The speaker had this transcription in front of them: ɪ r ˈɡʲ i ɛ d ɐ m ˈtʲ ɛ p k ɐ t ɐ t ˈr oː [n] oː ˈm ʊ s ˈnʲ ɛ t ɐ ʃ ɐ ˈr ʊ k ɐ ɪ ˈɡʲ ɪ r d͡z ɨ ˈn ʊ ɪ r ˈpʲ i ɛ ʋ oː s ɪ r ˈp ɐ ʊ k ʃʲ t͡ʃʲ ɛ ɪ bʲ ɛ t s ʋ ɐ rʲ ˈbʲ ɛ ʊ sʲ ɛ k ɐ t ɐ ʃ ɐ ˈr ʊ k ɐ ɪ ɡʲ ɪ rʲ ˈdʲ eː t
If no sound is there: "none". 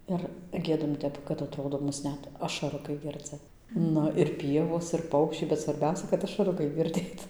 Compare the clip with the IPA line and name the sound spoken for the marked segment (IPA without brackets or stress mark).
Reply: d